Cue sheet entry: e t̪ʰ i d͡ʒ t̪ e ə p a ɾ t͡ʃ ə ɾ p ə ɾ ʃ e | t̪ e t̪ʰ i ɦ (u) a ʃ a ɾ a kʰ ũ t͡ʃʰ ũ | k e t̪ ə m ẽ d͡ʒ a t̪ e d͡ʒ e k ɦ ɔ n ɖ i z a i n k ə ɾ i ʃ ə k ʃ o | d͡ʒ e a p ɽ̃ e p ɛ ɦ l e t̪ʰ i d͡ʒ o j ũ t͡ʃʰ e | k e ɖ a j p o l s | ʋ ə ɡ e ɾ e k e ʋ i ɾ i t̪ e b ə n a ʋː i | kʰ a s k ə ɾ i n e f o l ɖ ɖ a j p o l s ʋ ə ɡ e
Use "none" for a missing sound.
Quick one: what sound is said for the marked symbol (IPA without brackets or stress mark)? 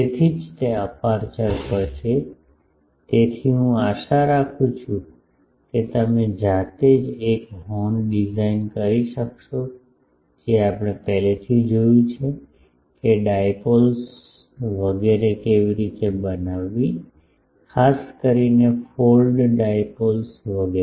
ũ